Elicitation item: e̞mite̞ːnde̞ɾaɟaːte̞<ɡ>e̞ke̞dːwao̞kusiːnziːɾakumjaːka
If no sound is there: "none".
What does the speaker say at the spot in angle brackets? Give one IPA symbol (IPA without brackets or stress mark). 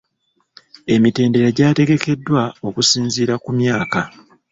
ɡ